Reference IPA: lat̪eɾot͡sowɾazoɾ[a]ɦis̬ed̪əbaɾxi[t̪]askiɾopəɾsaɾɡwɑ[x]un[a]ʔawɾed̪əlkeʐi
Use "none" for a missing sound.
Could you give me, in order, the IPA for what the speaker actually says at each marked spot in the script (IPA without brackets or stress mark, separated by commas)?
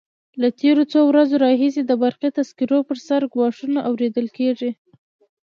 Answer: ɑ, t̪, ʂ, a